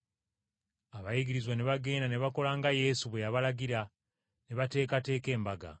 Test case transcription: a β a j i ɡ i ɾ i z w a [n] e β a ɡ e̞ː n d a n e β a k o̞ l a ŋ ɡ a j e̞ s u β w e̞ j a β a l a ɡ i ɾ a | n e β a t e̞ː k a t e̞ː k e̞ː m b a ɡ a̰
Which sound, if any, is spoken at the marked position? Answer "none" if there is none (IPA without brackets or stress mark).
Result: n